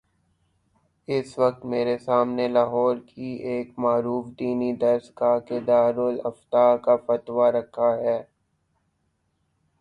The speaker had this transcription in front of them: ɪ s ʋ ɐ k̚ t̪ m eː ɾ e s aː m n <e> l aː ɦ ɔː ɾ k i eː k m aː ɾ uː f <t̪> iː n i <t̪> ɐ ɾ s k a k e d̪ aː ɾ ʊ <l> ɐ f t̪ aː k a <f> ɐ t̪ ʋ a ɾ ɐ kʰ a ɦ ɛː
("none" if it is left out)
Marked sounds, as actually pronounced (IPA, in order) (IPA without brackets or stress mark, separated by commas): e, d̪, d̪, l, f